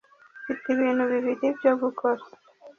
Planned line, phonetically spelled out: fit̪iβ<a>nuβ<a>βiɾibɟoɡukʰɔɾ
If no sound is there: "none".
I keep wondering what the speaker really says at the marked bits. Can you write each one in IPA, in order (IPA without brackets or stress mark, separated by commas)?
i, i